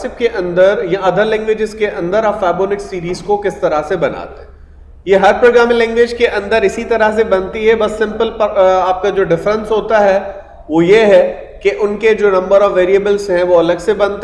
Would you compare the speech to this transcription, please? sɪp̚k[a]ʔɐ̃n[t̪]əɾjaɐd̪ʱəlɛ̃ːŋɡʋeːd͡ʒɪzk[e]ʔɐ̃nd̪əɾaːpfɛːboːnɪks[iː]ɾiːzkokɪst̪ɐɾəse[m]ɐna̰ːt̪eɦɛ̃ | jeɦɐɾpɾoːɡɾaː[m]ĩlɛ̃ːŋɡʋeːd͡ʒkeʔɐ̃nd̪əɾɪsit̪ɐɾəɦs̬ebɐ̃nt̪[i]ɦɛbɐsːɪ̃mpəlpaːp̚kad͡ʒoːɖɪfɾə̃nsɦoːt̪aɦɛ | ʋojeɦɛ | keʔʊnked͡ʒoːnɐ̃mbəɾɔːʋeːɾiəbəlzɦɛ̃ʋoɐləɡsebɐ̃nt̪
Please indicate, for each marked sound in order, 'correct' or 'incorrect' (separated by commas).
incorrect, incorrect, correct, correct, incorrect, correct, correct